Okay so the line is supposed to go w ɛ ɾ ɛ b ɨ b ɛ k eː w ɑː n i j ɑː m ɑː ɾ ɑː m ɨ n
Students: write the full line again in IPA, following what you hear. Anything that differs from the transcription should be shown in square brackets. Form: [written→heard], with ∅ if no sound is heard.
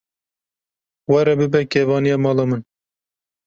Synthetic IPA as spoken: w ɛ ɾ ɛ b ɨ b ɛ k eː [w→v] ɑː n i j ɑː m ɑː [ɾ→l] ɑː m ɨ n